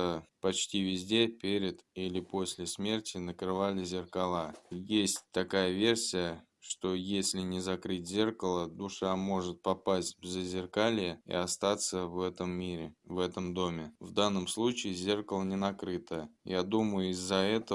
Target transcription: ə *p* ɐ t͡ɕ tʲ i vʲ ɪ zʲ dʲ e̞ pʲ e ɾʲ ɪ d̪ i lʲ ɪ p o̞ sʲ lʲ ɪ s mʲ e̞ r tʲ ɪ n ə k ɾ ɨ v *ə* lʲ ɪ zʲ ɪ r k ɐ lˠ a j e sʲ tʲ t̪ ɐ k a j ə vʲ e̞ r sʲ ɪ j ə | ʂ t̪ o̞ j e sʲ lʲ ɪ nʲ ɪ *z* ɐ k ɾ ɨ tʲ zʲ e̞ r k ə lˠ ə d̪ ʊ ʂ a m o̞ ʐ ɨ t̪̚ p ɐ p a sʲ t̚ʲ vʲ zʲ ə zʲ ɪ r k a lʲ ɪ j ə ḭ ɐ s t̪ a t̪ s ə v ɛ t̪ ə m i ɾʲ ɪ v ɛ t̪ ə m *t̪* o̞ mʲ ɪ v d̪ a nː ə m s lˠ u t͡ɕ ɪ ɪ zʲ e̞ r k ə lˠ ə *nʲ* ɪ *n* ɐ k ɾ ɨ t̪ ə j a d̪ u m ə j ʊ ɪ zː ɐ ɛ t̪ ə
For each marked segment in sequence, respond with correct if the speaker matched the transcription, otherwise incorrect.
correct, incorrect: a, correct, incorrect: d̪, correct, correct

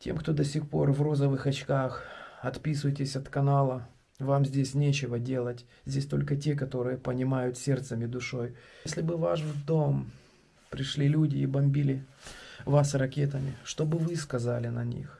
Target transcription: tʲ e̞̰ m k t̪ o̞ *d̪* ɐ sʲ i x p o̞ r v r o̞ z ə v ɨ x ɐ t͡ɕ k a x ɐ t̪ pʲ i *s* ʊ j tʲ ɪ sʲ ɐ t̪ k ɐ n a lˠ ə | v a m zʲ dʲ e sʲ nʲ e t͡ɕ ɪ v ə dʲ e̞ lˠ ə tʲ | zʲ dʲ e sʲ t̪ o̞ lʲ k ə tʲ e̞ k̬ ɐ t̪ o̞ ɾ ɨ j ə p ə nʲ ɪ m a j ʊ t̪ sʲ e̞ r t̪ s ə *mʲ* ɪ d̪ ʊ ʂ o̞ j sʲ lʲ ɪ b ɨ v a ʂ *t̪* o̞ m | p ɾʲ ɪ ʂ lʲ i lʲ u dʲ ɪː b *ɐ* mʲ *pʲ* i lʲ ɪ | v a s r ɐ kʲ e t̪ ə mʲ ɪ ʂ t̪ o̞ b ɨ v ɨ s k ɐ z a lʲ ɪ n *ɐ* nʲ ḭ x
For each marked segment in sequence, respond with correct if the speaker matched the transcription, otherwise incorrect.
correct, correct, correct, incorrect: d̪, correct, incorrect: bʲ, correct

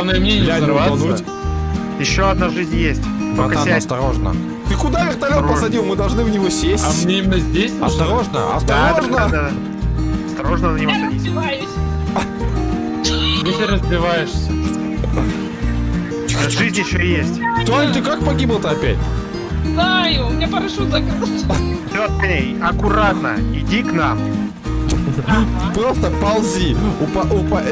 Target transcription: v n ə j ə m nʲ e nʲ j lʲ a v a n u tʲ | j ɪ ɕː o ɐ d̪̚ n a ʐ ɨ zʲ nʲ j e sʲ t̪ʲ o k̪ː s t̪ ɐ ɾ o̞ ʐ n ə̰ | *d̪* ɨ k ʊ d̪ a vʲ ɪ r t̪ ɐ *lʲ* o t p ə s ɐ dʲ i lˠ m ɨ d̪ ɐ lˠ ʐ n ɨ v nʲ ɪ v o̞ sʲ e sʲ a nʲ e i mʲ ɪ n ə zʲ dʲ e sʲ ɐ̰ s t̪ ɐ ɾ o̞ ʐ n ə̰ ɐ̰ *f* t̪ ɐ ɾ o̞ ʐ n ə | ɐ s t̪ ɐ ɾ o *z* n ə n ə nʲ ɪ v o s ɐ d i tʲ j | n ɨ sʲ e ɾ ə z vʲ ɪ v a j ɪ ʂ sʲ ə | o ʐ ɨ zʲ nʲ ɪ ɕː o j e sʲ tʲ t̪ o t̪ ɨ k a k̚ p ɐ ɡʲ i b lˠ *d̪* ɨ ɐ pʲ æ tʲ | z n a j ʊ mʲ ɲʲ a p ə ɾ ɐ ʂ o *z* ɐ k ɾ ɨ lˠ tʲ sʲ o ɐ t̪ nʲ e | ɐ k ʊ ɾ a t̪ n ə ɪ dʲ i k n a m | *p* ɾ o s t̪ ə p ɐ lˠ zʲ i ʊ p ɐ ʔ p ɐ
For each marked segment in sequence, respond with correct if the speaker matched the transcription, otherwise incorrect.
incorrect: t̪, correct, incorrect: s, incorrect: ʐ, incorrect: t̪, correct, correct

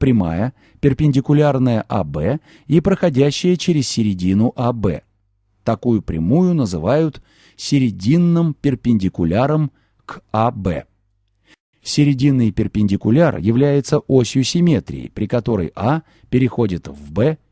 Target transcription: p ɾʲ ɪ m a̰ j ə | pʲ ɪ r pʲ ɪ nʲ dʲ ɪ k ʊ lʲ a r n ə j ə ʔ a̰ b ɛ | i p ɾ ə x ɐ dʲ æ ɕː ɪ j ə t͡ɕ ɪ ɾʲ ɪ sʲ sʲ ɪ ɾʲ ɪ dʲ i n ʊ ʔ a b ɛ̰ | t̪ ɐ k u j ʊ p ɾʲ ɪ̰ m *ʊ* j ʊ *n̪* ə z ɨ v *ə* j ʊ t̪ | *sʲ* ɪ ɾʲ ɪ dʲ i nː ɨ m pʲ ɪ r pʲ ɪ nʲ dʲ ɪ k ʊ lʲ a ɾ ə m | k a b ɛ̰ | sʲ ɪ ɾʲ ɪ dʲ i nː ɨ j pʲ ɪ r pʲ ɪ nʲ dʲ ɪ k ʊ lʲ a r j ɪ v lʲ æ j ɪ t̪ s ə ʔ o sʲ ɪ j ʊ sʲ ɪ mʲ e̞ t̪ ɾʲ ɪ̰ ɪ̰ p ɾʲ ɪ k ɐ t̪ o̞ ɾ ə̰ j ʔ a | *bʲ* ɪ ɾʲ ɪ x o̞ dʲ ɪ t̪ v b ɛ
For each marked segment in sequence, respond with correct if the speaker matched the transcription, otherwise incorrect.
incorrect: u, correct, incorrect: a, correct, incorrect: pʲ

